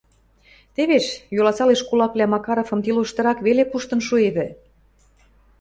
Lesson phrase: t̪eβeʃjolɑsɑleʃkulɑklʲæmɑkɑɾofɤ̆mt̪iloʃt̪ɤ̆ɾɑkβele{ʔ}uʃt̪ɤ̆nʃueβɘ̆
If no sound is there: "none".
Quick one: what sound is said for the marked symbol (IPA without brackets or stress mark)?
p